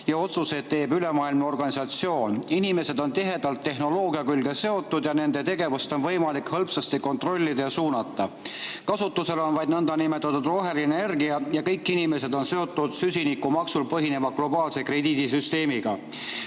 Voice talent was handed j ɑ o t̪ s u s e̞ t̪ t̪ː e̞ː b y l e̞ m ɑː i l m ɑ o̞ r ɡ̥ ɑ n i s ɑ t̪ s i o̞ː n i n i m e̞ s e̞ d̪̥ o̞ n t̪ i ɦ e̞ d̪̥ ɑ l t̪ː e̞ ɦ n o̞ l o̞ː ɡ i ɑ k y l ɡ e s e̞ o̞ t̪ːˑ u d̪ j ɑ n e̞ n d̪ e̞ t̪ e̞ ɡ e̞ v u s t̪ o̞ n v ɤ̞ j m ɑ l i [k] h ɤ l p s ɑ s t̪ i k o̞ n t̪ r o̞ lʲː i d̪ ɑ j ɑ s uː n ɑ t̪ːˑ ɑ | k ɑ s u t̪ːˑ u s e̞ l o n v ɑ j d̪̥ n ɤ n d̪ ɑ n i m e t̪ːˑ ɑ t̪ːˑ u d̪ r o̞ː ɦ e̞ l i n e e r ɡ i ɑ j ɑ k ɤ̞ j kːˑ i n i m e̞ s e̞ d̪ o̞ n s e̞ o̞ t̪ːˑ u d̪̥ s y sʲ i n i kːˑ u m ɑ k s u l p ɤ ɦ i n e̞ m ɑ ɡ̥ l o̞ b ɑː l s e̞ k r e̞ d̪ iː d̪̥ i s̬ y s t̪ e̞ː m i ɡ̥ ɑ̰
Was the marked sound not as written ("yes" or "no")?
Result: no